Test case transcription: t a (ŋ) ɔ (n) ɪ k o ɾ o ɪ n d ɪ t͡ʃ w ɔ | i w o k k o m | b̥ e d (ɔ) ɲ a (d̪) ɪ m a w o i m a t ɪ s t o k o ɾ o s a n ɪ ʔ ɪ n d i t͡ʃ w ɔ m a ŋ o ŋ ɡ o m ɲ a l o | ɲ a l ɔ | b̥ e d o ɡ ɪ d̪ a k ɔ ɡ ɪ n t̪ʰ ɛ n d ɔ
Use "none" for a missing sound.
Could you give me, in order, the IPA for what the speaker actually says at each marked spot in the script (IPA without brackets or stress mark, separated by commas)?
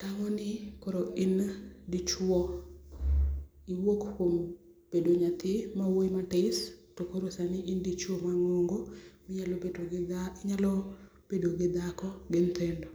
ŋ, n, o, t̪